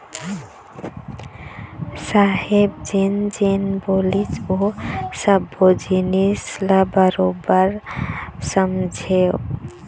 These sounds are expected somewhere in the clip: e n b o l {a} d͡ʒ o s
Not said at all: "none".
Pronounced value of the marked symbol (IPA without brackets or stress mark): i